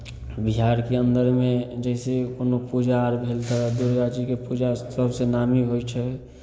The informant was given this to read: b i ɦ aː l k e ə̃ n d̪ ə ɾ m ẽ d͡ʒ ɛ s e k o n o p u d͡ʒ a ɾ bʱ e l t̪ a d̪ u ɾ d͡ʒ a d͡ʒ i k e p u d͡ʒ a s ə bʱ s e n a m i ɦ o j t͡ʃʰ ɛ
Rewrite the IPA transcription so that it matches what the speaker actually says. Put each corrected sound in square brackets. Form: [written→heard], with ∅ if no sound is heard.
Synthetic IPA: b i ɦ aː [l→ɾ] k e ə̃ n d̪ ə ɾ m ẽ d͡ʒ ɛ s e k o n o p u d͡ʒ a ɾ bʱ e l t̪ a d̪ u ɾ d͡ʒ a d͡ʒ i k e p u d͡ʒ a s ə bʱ s e n a m i ɦ o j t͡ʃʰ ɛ